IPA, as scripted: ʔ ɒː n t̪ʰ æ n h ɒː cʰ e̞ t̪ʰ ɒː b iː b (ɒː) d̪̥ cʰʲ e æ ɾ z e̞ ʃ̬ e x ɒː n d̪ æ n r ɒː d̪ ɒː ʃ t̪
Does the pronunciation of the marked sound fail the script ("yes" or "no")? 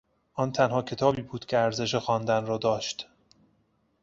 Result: yes